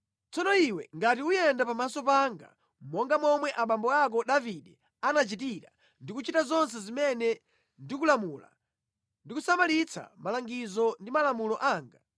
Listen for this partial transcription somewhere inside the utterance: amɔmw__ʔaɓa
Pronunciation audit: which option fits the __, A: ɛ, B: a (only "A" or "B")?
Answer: A